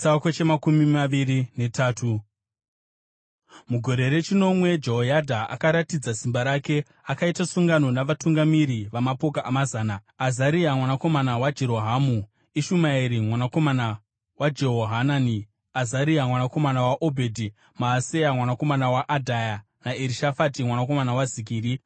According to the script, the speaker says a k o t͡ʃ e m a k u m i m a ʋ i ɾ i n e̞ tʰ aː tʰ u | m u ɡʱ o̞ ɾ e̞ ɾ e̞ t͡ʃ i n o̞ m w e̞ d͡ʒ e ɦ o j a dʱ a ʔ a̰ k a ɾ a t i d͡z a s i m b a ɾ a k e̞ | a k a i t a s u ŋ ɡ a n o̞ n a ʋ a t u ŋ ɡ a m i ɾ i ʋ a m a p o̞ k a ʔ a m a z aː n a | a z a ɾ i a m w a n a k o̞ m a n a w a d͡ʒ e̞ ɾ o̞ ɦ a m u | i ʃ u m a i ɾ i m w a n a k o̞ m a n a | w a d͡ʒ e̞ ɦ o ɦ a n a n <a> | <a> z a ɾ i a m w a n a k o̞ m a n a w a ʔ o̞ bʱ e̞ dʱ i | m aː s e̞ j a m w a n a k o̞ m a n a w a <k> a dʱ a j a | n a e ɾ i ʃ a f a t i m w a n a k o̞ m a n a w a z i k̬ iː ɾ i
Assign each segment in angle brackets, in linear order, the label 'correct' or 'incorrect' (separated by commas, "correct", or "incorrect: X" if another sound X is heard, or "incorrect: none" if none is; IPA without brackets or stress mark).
incorrect: i, correct, incorrect: ʔ